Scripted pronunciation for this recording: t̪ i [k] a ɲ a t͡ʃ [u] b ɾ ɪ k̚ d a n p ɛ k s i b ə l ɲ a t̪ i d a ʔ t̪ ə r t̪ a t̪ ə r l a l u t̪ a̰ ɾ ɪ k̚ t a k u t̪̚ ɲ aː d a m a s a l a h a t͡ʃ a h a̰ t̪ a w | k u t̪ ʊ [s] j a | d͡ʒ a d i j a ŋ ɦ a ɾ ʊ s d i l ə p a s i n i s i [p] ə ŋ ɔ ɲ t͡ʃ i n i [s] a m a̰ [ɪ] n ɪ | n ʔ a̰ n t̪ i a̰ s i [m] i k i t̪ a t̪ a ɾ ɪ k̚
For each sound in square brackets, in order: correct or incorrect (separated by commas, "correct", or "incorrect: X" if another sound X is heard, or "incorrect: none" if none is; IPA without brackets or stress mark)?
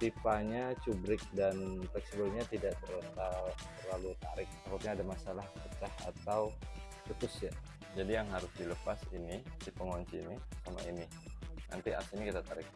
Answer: incorrect: p, correct, correct, correct, correct, incorrect: i, incorrect: n